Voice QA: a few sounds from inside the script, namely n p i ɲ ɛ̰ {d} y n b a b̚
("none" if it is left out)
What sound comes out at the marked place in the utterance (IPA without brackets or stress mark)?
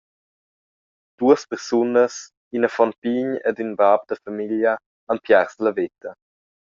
d